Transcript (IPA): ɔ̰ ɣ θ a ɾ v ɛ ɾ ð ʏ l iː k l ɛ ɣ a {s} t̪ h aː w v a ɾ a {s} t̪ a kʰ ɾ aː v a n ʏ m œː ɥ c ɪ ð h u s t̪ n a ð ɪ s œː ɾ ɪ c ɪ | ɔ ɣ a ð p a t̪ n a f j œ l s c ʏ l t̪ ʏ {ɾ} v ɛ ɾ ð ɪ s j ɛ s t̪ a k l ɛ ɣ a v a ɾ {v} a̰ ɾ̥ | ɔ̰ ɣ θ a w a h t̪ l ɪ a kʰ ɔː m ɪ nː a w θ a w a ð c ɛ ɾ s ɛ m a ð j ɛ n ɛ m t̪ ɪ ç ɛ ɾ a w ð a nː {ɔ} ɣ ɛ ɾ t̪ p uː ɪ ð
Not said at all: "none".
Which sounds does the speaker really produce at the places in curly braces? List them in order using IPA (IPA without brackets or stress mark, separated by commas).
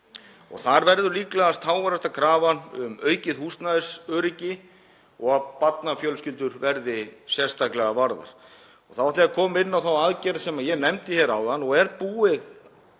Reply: s, s, ɾ, ð, ɔ